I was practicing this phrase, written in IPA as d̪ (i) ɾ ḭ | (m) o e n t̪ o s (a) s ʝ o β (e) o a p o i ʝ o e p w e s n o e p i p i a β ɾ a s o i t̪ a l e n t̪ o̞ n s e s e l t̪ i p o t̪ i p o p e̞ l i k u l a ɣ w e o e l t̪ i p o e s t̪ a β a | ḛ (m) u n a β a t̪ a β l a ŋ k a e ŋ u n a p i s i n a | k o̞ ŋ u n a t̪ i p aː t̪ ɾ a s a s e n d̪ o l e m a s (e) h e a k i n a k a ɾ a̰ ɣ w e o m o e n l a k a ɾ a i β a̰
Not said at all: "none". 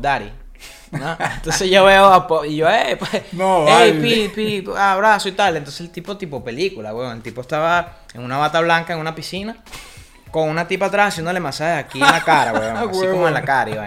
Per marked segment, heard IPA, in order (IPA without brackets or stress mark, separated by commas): a, n, e, e, ŋ, a